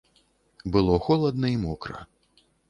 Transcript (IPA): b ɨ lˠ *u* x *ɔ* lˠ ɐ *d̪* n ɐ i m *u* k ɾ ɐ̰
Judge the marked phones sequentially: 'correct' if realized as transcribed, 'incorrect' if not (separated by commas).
incorrect, correct, correct, incorrect